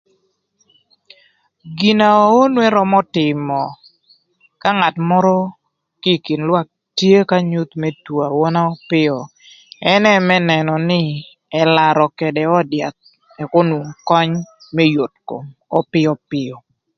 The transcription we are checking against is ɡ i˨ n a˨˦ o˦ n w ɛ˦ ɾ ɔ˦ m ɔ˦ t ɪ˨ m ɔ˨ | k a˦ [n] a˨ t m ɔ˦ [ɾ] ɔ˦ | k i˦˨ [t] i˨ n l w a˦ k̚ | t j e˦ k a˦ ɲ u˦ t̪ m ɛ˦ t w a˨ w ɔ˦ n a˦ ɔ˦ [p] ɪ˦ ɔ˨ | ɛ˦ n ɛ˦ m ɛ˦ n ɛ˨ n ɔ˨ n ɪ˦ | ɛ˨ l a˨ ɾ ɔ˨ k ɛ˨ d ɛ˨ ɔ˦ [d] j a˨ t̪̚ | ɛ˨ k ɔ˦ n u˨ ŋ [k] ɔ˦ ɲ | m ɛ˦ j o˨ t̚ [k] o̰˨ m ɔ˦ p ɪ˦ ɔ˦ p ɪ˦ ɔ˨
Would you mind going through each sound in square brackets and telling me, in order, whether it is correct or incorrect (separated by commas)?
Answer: incorrect, correct, incorrect, correct, correct, correct, correct